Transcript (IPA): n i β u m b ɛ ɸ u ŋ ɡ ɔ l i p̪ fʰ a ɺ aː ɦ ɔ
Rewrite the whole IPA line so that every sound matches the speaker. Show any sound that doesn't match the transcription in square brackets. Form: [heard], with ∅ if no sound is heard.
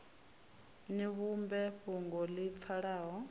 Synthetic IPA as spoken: n i β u m b ɛ ɸ u ŋ ɡ ɔ l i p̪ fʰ a ɺ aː ɦ ɔ